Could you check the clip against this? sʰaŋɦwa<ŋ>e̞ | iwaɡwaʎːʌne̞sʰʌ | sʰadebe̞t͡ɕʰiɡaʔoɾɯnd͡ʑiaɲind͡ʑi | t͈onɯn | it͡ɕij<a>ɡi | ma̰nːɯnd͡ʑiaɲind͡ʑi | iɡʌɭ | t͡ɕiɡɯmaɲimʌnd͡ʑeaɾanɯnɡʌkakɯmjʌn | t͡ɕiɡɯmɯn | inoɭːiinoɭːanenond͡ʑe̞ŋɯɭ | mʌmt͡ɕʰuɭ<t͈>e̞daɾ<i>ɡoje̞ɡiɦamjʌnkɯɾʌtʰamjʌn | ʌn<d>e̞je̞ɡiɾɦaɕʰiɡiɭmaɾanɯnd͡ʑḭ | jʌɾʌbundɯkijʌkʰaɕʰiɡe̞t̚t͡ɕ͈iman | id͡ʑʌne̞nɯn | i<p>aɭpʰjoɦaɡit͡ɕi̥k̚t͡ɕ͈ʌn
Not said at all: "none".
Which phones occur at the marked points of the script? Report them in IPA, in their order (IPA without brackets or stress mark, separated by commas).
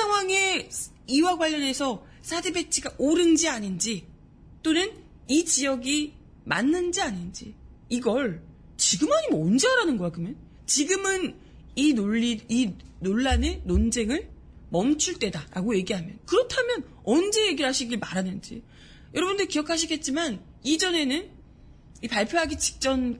ŋ, ʌ, t͈, a, d͡ʑ, p